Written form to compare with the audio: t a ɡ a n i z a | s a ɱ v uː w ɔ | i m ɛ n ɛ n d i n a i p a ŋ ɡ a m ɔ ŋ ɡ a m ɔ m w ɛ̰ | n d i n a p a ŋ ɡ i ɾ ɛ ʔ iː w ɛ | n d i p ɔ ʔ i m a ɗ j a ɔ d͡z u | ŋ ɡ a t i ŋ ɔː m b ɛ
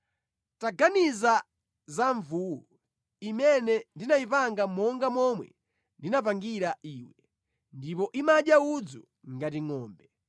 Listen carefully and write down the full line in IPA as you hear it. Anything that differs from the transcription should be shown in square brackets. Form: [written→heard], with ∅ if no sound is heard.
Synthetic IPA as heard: t a ɡ a n i z a | [s→z] a ɱ v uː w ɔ | i m ɛ n ɛ n d i n a i p a ŋ ɡ a m ɔ ŋ ɡ a m ɔ m w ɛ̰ | n d i n a p a ŋ ɡ i ɾ [ɛ→a] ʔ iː w ɛ | n d i p ɔ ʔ i m a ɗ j a [ɔ→u] d͡z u | ŋ ɡ a t i ŋ ɔː m b ɛ